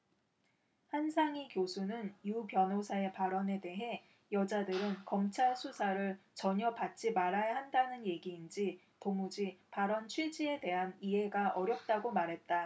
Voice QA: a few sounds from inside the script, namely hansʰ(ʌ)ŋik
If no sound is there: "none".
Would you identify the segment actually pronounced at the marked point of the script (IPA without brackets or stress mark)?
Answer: a